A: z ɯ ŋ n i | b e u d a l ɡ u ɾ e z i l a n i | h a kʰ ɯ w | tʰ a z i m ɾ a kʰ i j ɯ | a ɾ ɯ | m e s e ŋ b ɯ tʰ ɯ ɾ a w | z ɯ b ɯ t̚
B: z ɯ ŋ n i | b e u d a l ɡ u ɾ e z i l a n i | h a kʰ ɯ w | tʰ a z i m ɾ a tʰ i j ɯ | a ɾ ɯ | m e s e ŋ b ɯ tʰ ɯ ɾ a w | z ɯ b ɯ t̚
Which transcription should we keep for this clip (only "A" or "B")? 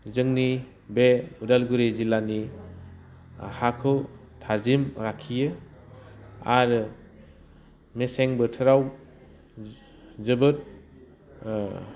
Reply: A